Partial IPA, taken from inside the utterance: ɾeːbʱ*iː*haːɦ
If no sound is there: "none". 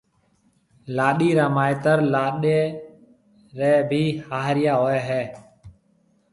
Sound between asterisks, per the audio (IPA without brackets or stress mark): iː